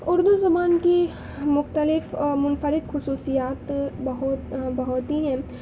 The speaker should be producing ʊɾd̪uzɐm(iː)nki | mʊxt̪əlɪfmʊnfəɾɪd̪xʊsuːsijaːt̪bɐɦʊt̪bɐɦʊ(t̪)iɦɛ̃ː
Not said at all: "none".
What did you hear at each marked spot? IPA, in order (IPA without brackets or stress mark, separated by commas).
aː, t̪